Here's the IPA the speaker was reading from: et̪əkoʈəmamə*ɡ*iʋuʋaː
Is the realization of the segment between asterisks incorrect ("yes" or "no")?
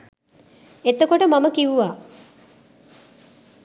yes